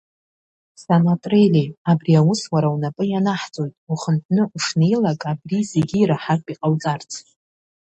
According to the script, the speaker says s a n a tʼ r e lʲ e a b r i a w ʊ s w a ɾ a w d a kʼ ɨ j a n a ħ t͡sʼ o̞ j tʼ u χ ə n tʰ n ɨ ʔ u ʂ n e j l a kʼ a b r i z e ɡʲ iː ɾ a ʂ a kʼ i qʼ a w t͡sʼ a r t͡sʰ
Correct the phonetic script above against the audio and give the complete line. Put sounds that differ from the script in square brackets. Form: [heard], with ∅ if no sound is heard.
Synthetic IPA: s a n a tʼ r e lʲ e a b r i a w ʊ s w a ɾ a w [n] a [pʼ] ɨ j a n a ħ t͡sʼ o̞ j tʼ u χ ə n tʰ n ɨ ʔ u ʂ n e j l a kʼ a b r i z e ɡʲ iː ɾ a [ħ] a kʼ i qʼ a w t͡sʼ a r t͡sʰ